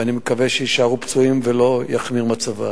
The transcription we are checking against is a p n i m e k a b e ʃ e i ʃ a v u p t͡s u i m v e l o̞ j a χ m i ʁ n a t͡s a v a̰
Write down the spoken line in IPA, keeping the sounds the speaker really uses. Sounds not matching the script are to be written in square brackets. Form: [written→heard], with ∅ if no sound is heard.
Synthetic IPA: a [p→∅] n i m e k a [b→v] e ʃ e i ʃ a [v→ʁ] u p t͡s u i m v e l o̞ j a χ m i ʁ [n→m] a t͡s a v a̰